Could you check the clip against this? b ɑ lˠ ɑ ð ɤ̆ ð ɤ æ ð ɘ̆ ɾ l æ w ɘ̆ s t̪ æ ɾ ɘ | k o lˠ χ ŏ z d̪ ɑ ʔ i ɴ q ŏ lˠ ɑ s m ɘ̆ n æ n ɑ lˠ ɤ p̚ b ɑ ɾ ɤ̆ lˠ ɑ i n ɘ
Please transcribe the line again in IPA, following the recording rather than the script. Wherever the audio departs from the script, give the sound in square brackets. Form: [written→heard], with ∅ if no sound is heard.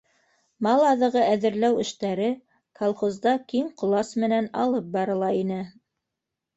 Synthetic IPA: [b→m] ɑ lˠ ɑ ð ɤ̆ [ð→ʁ] ɤ æ ð ɘ̆ ɾ l æ w ɘ̆ [s→ʃ] t̪ æ ɾ ɘ | k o lˠ χ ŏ z d̪ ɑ [ʔ→k] i [ɴ→m] q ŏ lˠ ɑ s m ɘ̆ n æ n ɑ lˠ ɤ p̚ b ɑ ɾ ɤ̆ lˠ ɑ i n ɘ